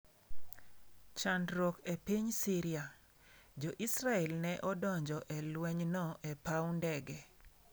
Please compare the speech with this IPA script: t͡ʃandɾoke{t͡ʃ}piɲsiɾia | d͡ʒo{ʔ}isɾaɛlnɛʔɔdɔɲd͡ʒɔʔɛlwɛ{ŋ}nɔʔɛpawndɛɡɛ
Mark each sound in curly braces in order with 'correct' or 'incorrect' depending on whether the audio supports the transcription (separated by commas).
incorrect, correct, incorrect